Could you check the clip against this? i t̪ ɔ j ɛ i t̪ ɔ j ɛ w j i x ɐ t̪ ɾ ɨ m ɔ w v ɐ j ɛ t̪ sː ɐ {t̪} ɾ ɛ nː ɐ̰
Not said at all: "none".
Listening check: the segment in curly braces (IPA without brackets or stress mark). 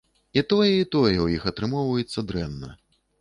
d̪